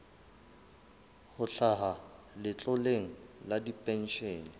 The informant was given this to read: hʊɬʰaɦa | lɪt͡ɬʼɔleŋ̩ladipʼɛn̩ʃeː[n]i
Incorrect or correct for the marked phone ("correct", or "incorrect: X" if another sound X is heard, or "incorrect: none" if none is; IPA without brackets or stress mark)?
correct